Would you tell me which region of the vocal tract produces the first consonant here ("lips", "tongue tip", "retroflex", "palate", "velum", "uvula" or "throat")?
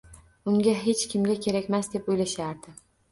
velum